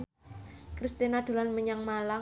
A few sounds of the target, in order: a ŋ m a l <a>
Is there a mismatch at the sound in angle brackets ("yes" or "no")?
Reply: no